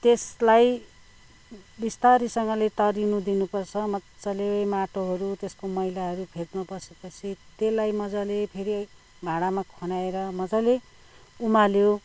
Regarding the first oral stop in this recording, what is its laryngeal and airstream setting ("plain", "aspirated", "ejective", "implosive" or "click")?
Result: plain